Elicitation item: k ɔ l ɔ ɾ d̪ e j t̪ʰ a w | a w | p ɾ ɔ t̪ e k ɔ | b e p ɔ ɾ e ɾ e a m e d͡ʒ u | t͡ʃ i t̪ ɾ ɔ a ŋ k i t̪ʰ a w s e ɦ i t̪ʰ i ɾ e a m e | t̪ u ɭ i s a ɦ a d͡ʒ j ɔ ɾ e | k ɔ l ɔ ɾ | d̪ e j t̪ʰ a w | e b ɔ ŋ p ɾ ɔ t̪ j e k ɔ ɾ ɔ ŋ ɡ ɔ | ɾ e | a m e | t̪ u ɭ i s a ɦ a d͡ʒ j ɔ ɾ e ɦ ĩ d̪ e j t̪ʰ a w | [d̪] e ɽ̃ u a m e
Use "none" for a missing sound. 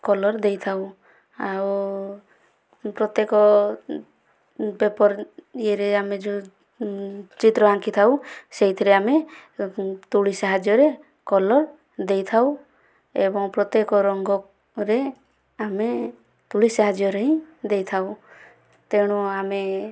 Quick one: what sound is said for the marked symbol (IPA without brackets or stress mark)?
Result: t̪